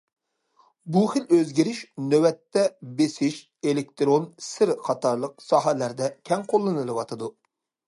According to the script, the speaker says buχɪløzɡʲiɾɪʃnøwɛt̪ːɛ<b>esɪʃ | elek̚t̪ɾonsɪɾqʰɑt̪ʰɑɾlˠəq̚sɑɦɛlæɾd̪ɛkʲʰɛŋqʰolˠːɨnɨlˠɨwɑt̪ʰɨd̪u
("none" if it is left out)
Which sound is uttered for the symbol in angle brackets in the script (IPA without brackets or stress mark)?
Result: b